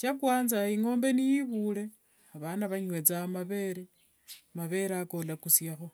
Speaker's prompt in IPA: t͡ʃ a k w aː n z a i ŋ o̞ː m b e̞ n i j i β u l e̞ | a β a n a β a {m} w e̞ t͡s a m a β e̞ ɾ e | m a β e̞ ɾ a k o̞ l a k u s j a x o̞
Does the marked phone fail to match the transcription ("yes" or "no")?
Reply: yes